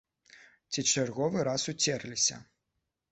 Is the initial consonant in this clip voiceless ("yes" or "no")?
yes